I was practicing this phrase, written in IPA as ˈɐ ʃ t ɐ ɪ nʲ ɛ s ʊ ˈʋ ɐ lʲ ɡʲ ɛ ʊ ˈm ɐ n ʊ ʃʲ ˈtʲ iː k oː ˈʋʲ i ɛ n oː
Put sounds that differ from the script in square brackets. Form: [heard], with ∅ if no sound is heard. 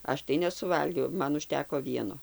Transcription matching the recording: ˈɐ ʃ t ɐ ɪ nʲ ɛ s ʊ ˈʋ ɐ lʲ ɡʲ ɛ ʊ ˈm ɐ n ʊ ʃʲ ˈtʲ [æː] k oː ˈʋʲ i ɛ n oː